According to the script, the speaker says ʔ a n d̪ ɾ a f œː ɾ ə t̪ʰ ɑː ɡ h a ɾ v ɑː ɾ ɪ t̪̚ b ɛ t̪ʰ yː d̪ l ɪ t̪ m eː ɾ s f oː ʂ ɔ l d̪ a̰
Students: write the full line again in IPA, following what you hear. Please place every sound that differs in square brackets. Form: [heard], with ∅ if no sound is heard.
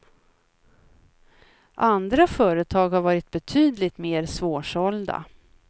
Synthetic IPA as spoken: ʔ a n d̪ ɾ a f œː ɾ ə t̪ʰ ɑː ɡ h a ɾ v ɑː ɾ ɪ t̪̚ b ɛ t̪ʰ yː d̪ l ɪ t̪ m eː ɾ s [v] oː ʂ ɔ l d̪ a̰